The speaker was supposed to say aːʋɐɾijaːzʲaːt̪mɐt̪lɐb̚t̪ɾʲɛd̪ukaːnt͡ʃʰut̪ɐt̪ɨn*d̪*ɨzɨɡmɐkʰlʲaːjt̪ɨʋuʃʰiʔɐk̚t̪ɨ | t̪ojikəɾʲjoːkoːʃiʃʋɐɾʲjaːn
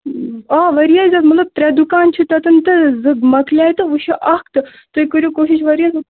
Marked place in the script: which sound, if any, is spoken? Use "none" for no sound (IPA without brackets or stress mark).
t̪